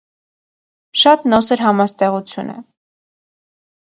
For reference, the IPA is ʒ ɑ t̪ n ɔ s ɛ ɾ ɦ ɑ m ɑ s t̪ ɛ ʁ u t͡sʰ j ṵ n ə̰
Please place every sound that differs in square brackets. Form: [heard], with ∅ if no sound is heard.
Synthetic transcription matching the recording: [ʃ] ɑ t̪ n ɔ s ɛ ɾ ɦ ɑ m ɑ s t̪ ɛ ʁ u t͡sʰ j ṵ n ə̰